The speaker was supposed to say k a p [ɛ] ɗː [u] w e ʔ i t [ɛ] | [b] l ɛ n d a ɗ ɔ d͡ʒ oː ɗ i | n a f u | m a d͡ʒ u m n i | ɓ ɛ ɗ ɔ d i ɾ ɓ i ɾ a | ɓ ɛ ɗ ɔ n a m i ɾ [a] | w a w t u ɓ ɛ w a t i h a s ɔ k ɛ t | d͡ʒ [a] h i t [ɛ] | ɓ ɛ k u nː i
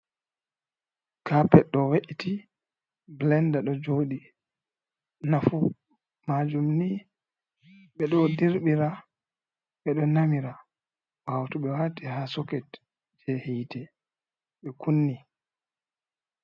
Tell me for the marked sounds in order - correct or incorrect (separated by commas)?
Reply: correct, incorrect, incorrect, correct, correct, incorrect, correct